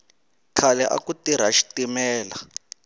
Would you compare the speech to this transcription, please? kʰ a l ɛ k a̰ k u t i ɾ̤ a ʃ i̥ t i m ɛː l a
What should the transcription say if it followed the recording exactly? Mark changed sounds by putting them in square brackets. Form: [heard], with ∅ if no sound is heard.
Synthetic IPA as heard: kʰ a l ɛ [ʔ] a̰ k u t i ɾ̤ a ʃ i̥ t i m ɛː l a